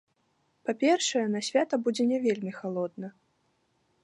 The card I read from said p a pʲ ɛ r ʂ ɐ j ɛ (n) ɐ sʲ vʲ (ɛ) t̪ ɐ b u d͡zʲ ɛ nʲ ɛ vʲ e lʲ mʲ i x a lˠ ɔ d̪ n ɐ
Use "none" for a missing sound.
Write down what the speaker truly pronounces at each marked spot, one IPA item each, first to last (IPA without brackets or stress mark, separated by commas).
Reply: n, a